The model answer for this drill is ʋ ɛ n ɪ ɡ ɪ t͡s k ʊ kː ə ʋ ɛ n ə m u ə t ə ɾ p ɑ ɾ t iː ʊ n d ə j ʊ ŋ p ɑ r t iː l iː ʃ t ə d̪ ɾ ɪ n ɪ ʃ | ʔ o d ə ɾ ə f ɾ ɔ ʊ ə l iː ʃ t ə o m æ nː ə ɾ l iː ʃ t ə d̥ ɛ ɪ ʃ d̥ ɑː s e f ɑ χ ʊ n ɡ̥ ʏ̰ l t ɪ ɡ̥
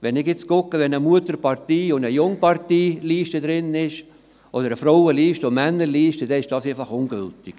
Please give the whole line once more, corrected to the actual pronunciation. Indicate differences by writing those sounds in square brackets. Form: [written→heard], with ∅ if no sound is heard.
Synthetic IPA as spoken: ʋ ɛ n ɪ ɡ ɪ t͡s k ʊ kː ə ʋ ɛ n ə m u ə t ə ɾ p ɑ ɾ t iː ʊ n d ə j ʊ ŋ p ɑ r t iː l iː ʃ t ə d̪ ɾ ɪ n ɪ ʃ | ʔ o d ə ɾ ə f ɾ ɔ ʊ ə l iː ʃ t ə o m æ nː ə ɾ l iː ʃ t ə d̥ ɛ ɪ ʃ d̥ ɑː s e f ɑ χ ʊ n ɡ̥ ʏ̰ l t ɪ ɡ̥